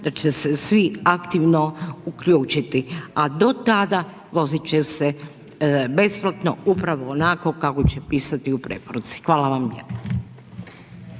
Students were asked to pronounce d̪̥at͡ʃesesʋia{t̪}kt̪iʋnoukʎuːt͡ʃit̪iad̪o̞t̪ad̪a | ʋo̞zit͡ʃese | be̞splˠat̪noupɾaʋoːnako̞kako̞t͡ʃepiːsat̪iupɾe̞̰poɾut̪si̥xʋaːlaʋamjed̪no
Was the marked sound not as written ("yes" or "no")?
yes